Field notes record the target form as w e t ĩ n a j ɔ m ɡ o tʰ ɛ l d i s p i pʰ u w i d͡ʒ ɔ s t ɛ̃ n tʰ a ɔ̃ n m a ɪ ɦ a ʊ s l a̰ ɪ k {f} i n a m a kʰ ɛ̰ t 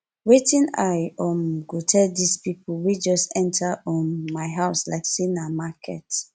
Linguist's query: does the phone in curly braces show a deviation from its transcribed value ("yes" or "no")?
yes